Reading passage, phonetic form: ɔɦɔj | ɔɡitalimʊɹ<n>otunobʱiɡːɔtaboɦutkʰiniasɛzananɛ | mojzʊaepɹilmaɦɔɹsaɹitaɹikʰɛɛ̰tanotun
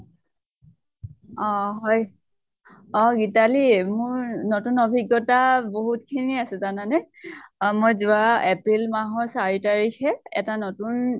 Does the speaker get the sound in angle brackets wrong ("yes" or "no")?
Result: no